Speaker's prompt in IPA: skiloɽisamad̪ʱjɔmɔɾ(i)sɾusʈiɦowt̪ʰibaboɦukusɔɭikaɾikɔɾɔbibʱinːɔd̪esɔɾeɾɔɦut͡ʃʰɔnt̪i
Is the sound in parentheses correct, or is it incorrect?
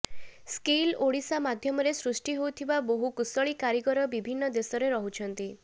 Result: incorrect